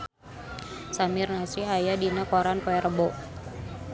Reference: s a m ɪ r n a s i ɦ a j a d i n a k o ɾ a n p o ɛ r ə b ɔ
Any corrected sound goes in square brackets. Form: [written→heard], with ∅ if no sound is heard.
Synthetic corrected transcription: s a m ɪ r n a s i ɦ a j a d i n a k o ɾ a n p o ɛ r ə b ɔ